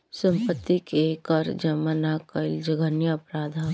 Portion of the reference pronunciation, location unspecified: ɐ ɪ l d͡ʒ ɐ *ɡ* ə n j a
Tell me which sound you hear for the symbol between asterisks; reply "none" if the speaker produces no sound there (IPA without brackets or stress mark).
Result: ɡ